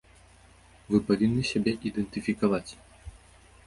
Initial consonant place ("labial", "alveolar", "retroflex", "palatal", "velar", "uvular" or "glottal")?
labial